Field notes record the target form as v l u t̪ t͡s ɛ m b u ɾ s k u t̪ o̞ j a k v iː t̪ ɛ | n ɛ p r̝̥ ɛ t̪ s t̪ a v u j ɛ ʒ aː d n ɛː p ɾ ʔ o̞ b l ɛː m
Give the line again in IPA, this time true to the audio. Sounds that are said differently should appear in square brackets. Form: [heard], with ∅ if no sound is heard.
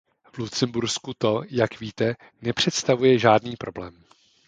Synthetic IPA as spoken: v l u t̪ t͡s ɛ m b u ɾ s k u t̪ o̞ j a k v iː t̪ ɛ | n ɛ p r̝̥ ɛ t̪ s t̪ a v u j ɛ ʒ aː d n [iː] p ɾ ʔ o̞ b l ɛː m